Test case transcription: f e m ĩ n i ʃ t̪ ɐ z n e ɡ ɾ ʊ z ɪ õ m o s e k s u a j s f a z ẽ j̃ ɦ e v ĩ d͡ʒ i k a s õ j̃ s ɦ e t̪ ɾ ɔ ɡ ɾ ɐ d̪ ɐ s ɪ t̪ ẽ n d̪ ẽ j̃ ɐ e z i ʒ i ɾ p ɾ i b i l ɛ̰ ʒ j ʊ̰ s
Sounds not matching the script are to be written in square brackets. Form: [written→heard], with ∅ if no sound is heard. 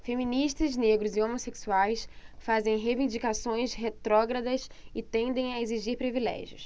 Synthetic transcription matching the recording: f e m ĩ n i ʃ t̪ ɐ z n e ɡ ɾ ʊ z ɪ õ m o s e k s u a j s f a z ẽ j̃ ɦ e v ĩ d͡ʒ i k a s õ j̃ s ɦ e t̪ ɾ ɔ ɡ ɾ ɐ d̪ ɐ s ɪ t̪ ẽ n d̪ ẽ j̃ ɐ e z i ʒ i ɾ p ɾ i [b→v] i l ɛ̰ ʒ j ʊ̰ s